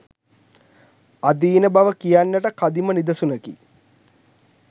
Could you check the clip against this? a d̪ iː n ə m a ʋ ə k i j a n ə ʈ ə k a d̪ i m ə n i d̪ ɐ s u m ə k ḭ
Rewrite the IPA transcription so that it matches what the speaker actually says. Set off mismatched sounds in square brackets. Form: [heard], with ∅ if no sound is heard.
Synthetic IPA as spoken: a d̪ iː n ə [b] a ʋ ə k i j a [nː] ə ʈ ə k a d̪ i m ə n i d̪ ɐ s u [n] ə k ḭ